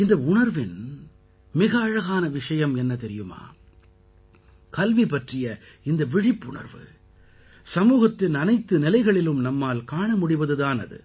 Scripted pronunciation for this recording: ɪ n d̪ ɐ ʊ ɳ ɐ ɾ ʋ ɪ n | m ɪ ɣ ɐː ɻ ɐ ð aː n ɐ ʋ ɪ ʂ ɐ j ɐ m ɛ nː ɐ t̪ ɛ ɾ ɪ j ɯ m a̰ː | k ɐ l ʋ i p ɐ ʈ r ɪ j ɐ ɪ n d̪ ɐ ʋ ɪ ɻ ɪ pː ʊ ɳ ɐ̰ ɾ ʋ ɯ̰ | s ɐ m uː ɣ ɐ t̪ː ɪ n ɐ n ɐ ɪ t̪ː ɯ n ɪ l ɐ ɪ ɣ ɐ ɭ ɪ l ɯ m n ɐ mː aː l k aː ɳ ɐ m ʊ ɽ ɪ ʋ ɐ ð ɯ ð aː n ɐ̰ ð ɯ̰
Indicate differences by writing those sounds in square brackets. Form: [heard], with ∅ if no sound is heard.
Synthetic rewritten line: ɪ n d̪ ɐ ʊ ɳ ɐ ɾ ʋ ɪ n | m ɪ ɣ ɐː ɻ ɐ [ɣ] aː n ɐ ʋ ɪ ʂ ɐ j ɐ m ɛ nː ɐ t̪ ɛ ɾ ɪ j ɯ m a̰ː | k ɐ l ʋ i p ɐ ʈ r ɪ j ɐ ɪ n d̪ ɐ ʋ ɪ ɻ ɪ pː ʊ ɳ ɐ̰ ɾ ʋ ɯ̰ | s ɐ m uː ɣ ɐ t̪ː ɪ n ɐ n ɐ ɪ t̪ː ɯ n ɪ l ɐ ɪ ɣ ɐ ɭ ɪ l ɯ m n ɐ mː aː l k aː ɳ ɐ m ʊ ɽ ɪ ʋ ɐ ð ɯ ð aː n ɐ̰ ð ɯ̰